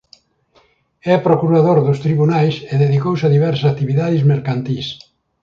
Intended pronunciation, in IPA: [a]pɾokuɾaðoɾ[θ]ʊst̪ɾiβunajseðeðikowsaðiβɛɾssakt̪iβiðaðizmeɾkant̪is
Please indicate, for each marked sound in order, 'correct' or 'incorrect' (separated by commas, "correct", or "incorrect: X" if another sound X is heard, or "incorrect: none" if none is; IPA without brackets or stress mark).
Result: incorrect: ɛ, incorrect: ð